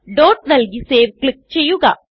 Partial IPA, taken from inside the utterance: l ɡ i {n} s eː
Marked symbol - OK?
no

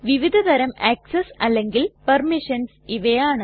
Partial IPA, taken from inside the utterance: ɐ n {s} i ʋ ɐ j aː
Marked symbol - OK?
yes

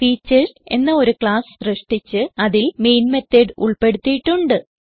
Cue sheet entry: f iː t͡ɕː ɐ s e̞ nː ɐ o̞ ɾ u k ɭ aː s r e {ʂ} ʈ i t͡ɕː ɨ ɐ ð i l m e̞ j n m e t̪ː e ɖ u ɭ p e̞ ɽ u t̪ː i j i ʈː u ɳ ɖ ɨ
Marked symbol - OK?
yes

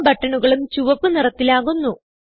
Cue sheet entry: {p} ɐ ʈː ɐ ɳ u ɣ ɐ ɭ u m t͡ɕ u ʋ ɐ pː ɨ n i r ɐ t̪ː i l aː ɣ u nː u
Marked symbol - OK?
no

